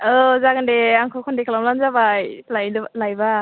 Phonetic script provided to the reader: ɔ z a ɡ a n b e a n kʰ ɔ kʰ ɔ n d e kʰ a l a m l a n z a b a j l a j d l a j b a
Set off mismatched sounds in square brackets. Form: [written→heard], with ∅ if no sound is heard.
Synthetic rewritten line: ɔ z a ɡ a n [b→d] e a [n→ŋ] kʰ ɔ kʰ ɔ n d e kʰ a l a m l a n z a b a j l a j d l a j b a